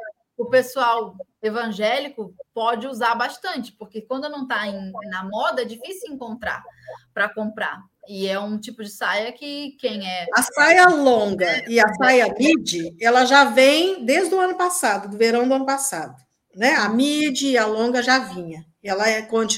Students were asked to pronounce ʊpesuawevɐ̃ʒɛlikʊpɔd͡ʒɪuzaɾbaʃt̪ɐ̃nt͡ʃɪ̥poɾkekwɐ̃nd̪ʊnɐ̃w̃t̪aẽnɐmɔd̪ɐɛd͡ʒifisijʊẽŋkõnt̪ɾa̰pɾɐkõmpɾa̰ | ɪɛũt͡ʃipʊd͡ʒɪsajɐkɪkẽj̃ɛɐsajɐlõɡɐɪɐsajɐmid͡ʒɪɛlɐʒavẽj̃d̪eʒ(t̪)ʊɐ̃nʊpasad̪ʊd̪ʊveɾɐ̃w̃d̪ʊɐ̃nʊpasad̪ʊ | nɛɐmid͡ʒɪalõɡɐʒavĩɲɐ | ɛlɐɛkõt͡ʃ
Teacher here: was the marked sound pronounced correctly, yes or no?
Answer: no